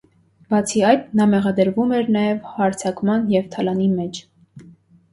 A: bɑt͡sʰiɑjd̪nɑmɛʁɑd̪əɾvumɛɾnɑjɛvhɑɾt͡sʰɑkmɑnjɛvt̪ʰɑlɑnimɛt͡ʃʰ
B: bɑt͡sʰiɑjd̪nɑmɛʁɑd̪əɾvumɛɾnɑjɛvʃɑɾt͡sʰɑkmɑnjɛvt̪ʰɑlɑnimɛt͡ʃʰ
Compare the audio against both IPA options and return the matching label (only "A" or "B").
A